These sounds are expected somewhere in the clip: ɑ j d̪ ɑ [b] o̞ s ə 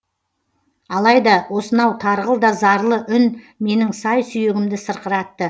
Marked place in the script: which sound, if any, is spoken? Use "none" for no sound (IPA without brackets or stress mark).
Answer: w